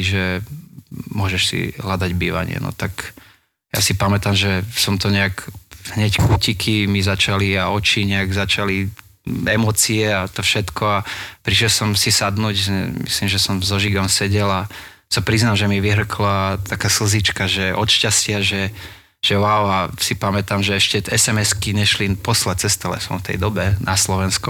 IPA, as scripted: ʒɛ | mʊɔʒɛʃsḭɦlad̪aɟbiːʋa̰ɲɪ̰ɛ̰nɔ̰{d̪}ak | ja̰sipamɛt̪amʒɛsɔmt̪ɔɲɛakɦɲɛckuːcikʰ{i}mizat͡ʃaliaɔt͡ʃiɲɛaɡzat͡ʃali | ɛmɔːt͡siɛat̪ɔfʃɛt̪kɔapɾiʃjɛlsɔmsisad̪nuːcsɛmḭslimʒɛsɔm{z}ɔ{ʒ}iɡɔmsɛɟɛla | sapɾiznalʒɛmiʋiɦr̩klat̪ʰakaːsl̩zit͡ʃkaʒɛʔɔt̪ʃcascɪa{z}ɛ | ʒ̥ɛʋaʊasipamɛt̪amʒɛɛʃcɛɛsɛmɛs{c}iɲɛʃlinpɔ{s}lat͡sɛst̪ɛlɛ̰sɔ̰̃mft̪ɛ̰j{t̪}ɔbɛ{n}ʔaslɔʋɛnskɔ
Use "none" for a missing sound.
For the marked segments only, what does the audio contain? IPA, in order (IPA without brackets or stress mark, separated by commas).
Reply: t̪, i, z, ʒ, ʒ, k, s, d̪, n